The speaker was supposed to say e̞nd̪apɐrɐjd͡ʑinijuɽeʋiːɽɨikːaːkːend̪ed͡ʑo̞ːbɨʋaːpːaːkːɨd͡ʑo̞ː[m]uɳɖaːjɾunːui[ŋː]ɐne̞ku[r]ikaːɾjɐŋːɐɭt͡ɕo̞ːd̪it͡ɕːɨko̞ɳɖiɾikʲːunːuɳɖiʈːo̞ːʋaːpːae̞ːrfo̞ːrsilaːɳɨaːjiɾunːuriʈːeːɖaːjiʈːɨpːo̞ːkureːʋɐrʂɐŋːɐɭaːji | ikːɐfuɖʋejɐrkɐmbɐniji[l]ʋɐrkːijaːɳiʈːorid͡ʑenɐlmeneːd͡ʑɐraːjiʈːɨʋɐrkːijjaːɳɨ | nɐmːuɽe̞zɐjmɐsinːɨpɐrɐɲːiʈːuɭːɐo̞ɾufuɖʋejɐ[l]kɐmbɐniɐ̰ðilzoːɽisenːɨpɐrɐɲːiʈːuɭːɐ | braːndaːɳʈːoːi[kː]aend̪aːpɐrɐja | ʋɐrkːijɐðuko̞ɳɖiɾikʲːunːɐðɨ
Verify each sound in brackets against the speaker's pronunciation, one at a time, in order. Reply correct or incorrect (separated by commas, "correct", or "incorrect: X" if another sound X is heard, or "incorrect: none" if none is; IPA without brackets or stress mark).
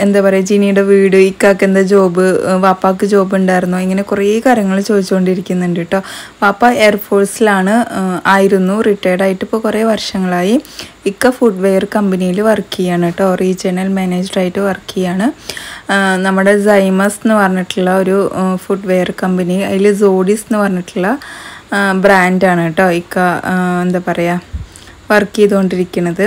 incorrect: b, correct, correct, correct, incorrect: r, correct